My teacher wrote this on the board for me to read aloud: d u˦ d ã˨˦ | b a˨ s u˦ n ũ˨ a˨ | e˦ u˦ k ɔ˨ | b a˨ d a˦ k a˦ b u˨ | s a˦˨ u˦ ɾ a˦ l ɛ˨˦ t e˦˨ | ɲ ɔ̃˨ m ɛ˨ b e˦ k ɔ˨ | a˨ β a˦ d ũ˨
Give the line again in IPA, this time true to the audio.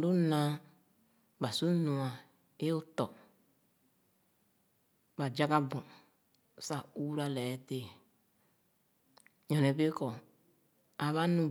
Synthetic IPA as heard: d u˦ n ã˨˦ | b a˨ s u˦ n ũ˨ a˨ | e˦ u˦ t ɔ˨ | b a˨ d͡ʒ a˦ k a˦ b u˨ | s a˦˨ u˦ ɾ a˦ l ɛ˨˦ t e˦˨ | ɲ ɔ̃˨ n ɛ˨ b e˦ k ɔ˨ | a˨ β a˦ n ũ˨